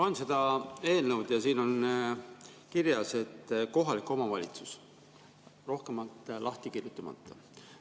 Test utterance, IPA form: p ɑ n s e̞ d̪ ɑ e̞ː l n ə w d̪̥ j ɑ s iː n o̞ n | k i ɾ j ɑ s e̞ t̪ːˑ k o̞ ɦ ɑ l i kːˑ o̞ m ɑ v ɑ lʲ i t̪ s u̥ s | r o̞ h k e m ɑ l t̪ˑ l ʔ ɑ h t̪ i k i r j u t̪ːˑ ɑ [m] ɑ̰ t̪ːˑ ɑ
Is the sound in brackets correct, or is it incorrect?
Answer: correct